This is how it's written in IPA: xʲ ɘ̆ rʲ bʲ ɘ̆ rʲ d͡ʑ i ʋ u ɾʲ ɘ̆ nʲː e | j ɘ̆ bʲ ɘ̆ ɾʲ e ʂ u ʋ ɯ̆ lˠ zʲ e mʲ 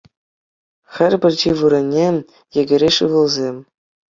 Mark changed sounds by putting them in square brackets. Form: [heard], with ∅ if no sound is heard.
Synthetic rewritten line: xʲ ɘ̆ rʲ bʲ ɘ̆ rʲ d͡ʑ i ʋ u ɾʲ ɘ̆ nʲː e | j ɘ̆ [ɡʲ] ɘ̆ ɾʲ e ʂ [ɯ] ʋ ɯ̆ lˠ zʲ e mʲ

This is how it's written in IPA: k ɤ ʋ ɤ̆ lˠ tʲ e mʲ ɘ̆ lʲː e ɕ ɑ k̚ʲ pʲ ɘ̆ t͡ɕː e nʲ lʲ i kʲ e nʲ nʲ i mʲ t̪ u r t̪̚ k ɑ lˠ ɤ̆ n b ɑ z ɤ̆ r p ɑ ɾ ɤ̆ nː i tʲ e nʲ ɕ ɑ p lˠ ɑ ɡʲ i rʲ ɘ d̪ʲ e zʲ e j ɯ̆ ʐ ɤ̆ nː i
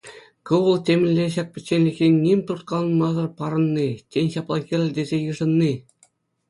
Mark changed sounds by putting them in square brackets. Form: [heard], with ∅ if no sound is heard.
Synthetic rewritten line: k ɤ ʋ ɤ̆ lˠ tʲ e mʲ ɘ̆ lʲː e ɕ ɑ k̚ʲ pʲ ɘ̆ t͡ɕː e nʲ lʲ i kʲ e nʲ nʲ i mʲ t̪ u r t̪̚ k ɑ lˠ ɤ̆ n [m] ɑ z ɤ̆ r p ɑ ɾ ɤ̆ nː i tʲ e nʲ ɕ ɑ p lˠ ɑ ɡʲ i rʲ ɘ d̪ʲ e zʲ e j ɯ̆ ʐ ɤ̆ nː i

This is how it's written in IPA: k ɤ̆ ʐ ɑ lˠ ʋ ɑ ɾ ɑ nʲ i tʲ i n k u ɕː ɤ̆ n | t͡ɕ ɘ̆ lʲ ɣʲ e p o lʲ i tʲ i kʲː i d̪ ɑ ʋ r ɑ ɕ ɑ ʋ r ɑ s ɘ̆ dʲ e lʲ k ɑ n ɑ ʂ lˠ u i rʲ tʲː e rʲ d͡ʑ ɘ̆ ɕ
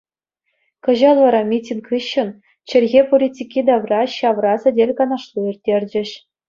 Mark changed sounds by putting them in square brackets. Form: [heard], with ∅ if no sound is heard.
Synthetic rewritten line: k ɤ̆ [ʑ] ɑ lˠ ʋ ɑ ɾ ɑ [mʲ] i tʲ i n k [ɯ] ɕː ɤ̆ n | t͡ɕ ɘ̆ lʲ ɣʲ e p o lʲ i tʲ i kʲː i d̪ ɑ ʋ r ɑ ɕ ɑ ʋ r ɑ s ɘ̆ dʲ e lʲ k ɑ n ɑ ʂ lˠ u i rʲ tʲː e rʲ d͡ʑ ɘ̆ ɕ

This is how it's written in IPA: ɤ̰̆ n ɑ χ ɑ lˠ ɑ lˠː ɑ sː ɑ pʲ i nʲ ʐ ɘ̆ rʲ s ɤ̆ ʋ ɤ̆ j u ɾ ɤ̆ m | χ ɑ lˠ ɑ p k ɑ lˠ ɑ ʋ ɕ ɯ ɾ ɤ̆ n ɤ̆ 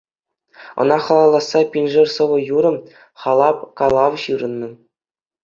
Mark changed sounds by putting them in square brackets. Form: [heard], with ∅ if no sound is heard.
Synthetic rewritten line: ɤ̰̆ n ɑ χ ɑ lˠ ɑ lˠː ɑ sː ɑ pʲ i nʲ ʐ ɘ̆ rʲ s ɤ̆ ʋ ɤ̆ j u ɾ ɤ̆ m | χ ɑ lˠ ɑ p k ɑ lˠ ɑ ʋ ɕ ɯ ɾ ɤ̆ [nː] ɤ̆

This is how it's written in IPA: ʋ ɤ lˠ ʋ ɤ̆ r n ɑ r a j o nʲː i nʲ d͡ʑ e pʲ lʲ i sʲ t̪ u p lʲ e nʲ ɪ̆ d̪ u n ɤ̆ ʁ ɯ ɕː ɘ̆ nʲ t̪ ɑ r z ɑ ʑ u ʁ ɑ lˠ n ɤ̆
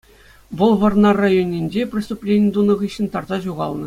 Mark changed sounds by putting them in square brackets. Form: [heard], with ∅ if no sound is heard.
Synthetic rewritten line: ʋ ɤ lˠ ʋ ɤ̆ r n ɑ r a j o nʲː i nʲ d͡ʑ e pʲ [rʲ] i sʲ t̪ u p lʲ e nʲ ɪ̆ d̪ u n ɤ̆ ʁ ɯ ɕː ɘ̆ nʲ t̪ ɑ r z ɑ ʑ u ʁ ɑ lˠ n ɤ̆

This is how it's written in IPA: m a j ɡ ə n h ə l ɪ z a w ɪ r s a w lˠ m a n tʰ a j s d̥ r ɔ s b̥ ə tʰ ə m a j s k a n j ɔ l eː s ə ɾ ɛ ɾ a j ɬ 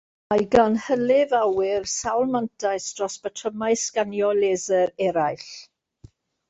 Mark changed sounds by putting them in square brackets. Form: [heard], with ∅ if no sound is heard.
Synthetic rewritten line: m a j ɡ [a] n h ə l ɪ [v] a w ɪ r s a w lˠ m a n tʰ a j s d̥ r ɔ s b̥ ə tʰ ə m a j s k a n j ɔ l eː [z] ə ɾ ɛ ɾ a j ɬ

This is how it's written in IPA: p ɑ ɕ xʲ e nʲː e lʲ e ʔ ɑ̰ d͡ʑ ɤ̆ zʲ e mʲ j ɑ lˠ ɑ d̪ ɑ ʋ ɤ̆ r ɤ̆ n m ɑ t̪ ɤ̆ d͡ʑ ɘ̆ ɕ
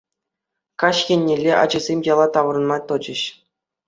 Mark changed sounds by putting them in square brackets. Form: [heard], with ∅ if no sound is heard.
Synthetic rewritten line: [k] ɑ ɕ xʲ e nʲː e lʲ e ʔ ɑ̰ d͡ʑ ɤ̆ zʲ e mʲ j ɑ lˠ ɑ [t̪] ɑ ʋ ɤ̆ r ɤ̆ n m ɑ t̪ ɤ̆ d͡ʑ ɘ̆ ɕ

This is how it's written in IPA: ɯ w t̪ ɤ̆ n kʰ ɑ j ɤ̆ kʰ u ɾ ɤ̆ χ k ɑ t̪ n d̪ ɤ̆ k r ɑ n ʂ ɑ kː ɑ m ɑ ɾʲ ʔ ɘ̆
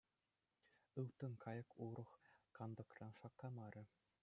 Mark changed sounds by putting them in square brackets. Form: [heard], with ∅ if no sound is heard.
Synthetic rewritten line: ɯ w t̪ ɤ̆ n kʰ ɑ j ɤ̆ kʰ u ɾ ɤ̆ χ k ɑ [∅] n d̪ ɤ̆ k r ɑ n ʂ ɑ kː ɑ m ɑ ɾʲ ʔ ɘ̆

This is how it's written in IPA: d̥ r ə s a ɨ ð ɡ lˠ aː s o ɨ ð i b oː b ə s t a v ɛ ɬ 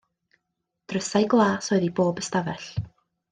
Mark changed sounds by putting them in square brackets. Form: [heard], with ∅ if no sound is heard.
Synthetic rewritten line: d̥ r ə s a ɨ [∅] ɡ lˠ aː s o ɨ ð i b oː b ə s t a v ɛ ɬ

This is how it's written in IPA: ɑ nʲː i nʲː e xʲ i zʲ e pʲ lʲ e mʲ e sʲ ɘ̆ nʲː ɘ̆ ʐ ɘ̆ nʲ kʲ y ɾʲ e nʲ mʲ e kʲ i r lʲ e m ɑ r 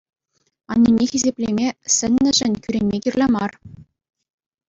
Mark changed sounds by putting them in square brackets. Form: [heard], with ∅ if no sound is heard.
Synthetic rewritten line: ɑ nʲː i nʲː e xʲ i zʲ e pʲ lʲ e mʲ e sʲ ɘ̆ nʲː ɘ̆ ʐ ɘ̆ nʲ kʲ y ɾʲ e nʲ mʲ e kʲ i r lʲ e m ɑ r

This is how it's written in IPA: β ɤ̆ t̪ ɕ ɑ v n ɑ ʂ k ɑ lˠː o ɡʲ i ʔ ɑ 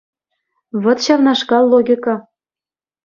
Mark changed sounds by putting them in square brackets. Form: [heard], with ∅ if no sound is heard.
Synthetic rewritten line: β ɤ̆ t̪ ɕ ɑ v n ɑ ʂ k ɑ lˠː o ɡʲ i [k] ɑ

